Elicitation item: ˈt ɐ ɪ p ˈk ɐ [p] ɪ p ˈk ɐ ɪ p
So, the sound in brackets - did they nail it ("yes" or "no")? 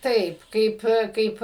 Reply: no